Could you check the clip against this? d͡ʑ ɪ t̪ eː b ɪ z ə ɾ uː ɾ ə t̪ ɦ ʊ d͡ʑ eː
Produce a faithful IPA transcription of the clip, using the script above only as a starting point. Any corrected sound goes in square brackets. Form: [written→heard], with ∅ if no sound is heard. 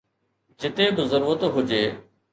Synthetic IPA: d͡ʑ ɪ t̪ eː b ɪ z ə ɾ uː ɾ ə t̪ ɦ ʊ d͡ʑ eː